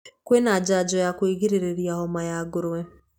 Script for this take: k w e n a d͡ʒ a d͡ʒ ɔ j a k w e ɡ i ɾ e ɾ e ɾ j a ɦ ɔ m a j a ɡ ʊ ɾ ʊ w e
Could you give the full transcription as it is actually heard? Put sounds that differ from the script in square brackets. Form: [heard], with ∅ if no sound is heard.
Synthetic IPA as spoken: k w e n a d͡ʒ a d͡ʒ ɔ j a k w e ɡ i ɾ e ɾ e ɾ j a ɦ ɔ m a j a ɡ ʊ ɾ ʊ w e